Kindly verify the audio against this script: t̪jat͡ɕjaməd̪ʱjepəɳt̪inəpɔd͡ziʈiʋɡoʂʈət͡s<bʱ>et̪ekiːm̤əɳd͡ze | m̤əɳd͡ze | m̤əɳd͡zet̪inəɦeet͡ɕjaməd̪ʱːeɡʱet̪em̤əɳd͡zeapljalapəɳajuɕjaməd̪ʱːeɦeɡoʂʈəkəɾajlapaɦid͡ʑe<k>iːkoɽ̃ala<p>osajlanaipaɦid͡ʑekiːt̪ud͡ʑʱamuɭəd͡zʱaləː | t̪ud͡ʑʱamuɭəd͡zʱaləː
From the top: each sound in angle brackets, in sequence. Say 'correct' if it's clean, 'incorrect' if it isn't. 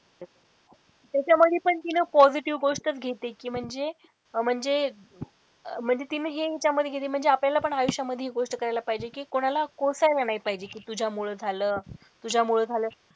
incorrect: ɡʱ, correct, incorrect: k

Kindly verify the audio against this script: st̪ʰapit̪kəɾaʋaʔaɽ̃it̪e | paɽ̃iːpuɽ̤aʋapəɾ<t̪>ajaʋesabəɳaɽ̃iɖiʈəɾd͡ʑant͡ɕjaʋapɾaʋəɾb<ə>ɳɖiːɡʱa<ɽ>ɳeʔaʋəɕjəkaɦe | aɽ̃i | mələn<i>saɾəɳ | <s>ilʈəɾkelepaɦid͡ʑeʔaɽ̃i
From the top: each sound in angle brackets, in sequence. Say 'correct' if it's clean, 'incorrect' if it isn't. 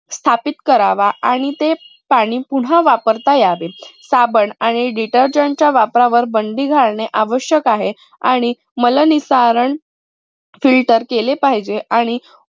correct, correct, incorrect: ɭ, correct, incorrect: f

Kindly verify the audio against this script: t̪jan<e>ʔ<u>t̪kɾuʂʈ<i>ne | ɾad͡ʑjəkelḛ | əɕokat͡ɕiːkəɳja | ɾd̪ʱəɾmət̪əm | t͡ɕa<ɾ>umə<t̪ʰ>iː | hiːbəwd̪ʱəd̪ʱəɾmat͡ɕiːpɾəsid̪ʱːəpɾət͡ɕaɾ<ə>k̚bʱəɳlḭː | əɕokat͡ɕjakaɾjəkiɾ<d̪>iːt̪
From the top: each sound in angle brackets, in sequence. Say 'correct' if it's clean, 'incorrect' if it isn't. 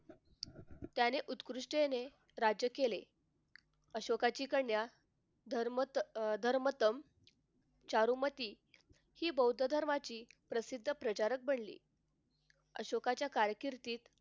correct, correct, incorrect: e, correct, incorrect: t̪, correct, incorrect: t̪

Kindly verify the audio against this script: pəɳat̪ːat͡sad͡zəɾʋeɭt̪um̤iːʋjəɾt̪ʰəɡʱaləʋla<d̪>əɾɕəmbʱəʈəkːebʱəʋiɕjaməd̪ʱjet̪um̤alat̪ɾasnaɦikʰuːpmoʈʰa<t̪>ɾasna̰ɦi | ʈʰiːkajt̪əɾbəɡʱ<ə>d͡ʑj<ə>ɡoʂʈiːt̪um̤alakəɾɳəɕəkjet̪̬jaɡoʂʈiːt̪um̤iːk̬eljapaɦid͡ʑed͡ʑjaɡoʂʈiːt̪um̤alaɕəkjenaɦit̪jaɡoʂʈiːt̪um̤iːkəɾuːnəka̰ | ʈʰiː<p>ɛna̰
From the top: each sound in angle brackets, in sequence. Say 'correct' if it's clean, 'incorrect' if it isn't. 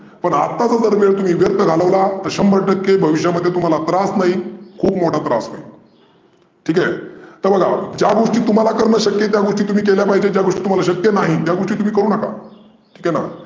incorrect: t̪, correct, incorrect: a, incorrect: a, incorrect: k

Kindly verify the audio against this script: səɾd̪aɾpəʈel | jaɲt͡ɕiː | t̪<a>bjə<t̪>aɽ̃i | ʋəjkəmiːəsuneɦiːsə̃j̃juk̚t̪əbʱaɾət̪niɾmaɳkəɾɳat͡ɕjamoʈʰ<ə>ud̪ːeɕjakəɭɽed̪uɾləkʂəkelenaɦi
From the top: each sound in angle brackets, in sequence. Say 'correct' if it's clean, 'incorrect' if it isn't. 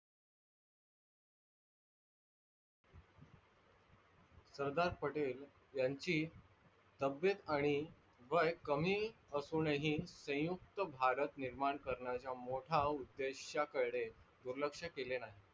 incorrect: ə, correct, incorrect: a

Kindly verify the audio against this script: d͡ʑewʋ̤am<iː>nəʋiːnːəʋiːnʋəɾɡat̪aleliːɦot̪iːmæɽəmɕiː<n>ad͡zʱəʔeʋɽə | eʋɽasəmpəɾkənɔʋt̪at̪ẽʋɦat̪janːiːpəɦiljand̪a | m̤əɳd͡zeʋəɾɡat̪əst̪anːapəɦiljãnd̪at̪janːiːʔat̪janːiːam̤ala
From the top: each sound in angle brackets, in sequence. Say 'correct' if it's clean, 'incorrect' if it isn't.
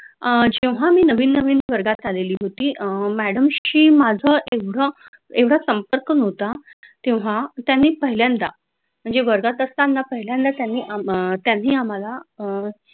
correct, incorrect: m

